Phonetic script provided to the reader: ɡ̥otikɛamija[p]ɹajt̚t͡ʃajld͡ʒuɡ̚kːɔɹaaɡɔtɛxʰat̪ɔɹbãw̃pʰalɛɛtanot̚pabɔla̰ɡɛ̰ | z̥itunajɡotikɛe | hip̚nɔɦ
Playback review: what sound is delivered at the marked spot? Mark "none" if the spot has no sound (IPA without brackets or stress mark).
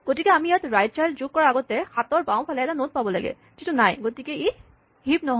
t